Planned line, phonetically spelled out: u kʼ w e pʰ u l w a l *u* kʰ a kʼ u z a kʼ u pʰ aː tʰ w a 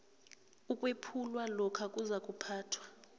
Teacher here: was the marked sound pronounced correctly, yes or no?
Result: no